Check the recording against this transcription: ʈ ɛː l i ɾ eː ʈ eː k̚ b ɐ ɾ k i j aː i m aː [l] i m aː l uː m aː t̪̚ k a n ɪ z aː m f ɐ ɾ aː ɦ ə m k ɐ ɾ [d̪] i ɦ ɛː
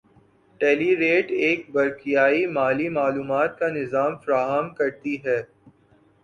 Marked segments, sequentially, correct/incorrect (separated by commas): correct, incorrect